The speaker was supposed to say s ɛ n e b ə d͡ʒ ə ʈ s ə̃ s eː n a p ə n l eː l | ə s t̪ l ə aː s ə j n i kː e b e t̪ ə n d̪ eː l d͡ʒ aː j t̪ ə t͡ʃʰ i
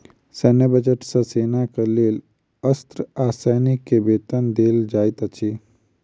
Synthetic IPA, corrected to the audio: s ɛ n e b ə d͡ʒ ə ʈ s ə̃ s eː n a k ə l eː l | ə s t̪ ɾ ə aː s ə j n i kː e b e t̪ ə n d̪ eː l d͡ʒ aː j t̪ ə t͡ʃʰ i